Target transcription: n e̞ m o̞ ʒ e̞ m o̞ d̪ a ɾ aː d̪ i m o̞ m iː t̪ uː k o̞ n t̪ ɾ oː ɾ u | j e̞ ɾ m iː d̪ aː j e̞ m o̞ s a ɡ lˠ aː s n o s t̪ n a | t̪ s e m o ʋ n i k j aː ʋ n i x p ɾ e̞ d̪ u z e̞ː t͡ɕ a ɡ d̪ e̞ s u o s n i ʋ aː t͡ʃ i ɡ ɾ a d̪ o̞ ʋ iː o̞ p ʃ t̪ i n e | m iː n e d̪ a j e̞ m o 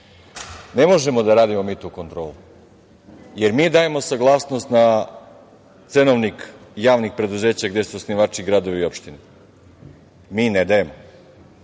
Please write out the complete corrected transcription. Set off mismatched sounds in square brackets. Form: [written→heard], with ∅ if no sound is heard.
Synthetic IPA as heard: n e̞ m o̞ ʒ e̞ m o̞ d̪ a ɾ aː d̪ i m o̞ m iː t̪ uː k o̞ n t̪ ɾ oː [ɾ→l] u | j e̞ ɾ m iː d̪ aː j e̞ m o̞ s a ɡ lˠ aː s n o s t̪ n a | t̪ s e [m→n] o ʋ n i k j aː ʋ n i x p ɾ e̞ d̪ u z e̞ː t͡ɕ a ɡ d̪ e̞ s u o s n i ʋ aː t͡ʃ i ɡ ɾ a d̪ o̞ ʋ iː o̞ p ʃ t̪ i n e | m iː n e d̪ a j e̞ m o